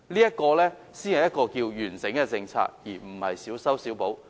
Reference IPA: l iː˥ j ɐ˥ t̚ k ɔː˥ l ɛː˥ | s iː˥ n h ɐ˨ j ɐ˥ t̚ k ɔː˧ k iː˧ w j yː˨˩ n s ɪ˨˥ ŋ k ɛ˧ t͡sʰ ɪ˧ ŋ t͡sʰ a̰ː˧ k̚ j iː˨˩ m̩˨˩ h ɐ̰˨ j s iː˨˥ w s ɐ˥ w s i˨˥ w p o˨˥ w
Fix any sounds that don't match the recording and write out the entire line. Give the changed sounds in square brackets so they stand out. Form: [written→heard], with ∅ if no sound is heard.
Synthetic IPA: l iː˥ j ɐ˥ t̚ k [ɔː˥→ɔː˧] l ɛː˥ | s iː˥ n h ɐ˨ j ɐ˥ t̚ k ɔː˧ k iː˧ w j yː˨˩ n s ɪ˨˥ ŋ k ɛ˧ [t͡sʰ→t͡s] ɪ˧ ŋ t͡sʰ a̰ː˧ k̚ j iː˨˩ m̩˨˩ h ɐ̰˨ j s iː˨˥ w s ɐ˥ w s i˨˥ w p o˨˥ w